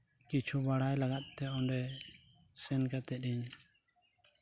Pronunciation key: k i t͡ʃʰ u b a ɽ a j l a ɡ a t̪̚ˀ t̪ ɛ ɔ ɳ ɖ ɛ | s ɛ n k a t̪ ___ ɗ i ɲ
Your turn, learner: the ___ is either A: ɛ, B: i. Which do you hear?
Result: A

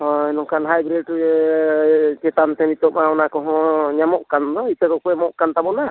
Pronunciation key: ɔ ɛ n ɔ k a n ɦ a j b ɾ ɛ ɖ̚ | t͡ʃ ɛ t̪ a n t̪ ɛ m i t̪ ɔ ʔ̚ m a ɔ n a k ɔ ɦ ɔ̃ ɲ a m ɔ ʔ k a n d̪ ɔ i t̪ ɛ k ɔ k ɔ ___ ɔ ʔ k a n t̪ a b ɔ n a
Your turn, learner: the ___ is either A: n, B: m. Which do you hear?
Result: B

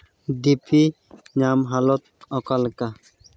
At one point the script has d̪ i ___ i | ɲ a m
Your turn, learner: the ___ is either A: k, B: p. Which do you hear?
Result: B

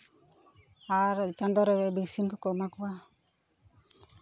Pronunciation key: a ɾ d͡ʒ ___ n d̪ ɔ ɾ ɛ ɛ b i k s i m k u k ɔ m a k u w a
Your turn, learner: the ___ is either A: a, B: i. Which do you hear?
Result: A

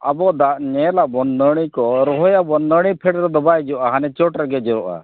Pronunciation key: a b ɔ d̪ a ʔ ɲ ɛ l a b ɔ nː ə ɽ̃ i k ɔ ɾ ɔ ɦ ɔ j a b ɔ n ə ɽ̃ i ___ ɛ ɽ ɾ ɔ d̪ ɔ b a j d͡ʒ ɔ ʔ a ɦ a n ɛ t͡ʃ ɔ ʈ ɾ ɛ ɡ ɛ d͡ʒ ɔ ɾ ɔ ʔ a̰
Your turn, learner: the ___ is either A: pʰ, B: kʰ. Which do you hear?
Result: A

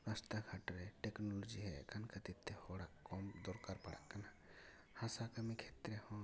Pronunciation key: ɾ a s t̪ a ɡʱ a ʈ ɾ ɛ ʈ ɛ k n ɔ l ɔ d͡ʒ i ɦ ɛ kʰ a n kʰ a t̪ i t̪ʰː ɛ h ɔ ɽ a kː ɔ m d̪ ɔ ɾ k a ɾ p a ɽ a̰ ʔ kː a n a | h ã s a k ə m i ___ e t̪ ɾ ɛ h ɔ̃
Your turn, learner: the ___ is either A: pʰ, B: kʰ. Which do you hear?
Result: B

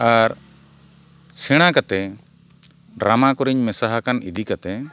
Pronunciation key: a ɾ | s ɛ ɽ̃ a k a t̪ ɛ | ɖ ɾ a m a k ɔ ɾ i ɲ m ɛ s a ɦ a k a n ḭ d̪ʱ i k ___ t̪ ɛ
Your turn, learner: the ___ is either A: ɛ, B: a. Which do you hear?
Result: B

